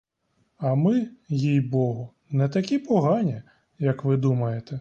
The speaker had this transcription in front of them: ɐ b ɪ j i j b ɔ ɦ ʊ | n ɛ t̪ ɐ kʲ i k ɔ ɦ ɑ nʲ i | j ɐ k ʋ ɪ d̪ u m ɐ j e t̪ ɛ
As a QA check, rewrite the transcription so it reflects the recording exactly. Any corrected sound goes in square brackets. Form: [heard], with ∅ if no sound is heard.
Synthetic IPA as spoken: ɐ [m] ɪ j i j b ɔ ɦ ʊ | n ɛ t̪ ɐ kʲ i [p] ɔ ɦ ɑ nʲ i | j ɐ k ʋ ɪ d̪ u m ɐ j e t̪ ɛ